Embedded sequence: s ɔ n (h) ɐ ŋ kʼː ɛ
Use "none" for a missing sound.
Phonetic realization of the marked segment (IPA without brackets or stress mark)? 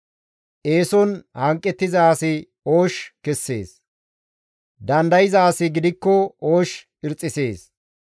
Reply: h